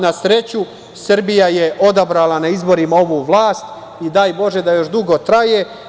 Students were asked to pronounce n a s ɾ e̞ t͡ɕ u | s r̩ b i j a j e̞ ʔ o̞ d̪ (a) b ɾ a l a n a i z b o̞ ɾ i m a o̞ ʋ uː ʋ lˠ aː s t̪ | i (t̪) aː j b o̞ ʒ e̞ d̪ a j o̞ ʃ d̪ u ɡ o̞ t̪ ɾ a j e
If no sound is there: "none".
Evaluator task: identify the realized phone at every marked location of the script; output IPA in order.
a, d̪

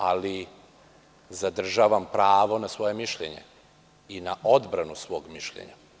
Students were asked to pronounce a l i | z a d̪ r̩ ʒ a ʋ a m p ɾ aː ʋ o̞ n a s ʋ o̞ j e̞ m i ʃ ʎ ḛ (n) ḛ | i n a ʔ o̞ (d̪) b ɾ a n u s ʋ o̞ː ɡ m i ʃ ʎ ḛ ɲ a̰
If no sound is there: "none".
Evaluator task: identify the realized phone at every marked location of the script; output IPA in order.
ɲ, d̪

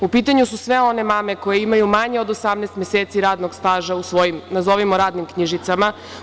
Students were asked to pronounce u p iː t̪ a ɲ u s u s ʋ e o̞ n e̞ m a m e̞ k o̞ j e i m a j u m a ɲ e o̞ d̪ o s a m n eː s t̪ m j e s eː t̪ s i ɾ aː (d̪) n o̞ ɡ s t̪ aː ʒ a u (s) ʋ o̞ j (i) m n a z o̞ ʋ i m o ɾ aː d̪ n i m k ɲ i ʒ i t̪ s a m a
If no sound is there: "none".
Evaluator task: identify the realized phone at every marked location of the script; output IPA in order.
d̪, s, i

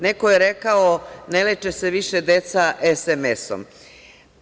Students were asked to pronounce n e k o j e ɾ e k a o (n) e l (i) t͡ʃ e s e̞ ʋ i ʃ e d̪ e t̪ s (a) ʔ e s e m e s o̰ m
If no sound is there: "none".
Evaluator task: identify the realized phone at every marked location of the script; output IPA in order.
n, e, a

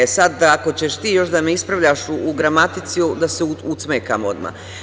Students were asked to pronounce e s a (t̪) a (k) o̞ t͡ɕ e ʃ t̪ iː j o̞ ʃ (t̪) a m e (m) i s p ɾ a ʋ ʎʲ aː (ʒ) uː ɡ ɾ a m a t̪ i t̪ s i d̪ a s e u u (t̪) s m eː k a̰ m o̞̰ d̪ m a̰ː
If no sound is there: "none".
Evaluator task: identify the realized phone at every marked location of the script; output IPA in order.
d̪, k, d̪, none, ʃ, t̪

